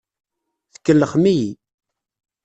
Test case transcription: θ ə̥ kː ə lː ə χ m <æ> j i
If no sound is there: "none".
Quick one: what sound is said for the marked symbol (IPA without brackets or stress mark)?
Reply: i